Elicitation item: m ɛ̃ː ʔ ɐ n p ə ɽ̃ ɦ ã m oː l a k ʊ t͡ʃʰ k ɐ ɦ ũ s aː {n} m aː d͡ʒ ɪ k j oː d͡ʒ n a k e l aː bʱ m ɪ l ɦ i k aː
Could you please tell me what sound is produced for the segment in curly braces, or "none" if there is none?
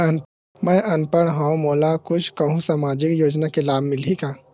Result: none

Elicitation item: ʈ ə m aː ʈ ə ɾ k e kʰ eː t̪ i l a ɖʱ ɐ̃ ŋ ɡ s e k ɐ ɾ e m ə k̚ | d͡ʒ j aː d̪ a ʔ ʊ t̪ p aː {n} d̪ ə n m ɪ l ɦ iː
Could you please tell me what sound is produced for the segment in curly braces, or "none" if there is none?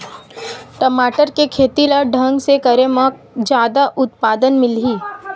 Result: none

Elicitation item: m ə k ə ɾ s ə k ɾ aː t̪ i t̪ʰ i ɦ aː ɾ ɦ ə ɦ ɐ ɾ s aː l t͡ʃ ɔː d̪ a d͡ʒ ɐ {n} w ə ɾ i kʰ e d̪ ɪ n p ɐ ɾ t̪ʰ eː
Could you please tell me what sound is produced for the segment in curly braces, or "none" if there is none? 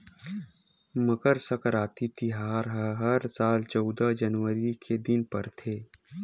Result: n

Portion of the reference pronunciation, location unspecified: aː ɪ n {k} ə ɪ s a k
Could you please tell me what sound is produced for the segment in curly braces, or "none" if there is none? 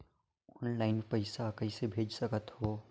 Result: p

